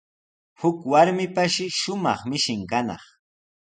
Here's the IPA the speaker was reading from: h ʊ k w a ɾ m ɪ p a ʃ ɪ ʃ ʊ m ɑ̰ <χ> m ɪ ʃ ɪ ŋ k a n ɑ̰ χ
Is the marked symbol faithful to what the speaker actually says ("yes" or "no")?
yes